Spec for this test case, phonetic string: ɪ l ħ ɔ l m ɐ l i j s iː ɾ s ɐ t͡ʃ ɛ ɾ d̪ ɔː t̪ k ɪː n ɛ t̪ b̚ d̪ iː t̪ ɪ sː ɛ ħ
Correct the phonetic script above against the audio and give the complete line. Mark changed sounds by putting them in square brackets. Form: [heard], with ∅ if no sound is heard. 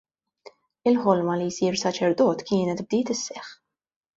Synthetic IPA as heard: ɪ l ħ ɔ l m ɐ l i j s iː ɾ s ɐ t͡ʃ ɛ ɾ d̪ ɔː t̪ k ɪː n ɛ t̪ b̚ d̪ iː t̪ ɪ sː ɛ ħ